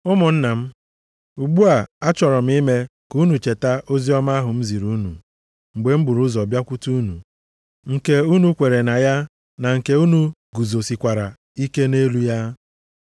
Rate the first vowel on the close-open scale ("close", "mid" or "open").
close